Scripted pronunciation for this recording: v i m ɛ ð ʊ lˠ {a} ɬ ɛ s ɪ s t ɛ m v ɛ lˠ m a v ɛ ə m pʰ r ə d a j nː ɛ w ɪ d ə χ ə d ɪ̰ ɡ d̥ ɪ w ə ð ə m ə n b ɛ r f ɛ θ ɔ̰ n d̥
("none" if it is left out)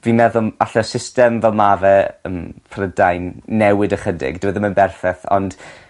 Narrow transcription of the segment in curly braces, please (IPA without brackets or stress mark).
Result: a